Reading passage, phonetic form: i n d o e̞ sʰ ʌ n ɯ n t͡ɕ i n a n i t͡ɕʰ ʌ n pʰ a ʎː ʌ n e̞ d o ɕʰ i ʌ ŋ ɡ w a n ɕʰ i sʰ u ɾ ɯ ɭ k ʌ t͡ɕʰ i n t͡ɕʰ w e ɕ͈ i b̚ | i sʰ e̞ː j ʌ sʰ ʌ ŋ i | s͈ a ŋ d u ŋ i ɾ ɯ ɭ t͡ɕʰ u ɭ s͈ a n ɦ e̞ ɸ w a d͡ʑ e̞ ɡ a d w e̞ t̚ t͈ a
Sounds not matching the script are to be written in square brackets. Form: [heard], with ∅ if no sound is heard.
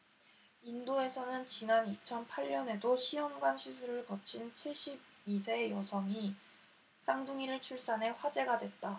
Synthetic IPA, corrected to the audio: i n d o e̞ sʰ ʌ n ɯ n t͡ɕ i n a n i t͡ɕʰ ʌ n pʰ a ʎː ʌ n e̞ d o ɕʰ i ʌ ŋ ɡ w a n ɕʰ i sʰ u ɾ ɯ ɭ k ʌ t͡ɕʰ i n t͡ɕʰ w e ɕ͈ i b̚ | i sʰ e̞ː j ʌ sʰ ʌ ŋ i | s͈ a ŋ d u ŋ i ɾ ɯ ɭ t͡ɕʰ u ɭ s͈ a n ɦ e̞ ɸ w a d͡ʑ e̞ ɡ a d w e̞ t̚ t͈ a